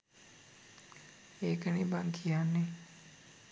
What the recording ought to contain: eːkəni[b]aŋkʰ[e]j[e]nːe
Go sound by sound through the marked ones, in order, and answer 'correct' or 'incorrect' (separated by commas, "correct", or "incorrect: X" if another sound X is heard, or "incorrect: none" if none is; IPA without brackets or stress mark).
correct, incorrect: i, incorrect: a